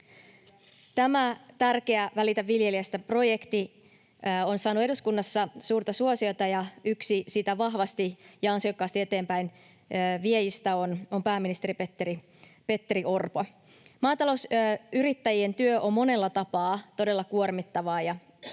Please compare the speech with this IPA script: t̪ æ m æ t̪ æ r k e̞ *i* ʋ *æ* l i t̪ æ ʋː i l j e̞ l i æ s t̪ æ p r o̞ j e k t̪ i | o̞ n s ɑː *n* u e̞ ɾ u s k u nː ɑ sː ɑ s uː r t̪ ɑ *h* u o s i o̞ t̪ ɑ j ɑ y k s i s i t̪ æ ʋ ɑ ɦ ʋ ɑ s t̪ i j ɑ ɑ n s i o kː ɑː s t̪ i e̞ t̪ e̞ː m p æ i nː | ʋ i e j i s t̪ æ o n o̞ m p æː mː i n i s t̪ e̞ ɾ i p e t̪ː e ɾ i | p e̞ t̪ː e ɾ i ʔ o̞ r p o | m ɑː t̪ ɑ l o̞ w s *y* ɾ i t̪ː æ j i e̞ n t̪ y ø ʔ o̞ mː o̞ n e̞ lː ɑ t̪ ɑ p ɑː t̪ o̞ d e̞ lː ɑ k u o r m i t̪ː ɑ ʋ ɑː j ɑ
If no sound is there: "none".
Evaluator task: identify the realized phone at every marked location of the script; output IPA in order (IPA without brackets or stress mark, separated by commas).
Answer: æ, æ, n, s, y